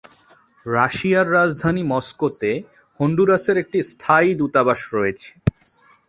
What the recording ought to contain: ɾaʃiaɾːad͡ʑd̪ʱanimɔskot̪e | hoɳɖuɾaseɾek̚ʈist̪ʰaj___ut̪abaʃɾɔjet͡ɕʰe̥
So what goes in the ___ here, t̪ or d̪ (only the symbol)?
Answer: d̪